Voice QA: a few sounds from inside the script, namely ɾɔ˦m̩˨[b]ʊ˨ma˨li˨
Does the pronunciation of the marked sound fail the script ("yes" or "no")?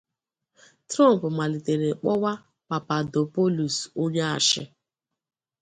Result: yes